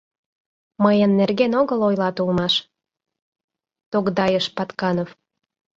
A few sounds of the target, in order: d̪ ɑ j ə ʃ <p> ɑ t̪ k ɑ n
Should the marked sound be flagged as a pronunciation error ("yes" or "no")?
no